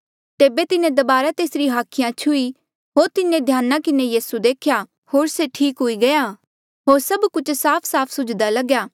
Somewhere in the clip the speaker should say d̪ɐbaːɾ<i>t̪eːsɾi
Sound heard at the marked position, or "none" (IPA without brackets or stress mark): a